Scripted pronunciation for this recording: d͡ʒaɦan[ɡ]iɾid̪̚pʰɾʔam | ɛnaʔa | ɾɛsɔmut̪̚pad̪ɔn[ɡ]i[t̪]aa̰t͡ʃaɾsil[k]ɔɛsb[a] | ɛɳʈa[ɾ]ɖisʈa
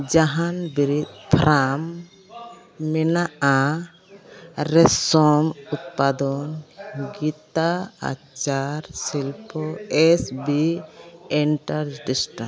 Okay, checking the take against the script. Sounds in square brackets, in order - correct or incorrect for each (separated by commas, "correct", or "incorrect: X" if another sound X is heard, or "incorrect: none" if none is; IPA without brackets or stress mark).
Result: incorrect: b, correct, correct, incorrect: p, incorrect: i, correct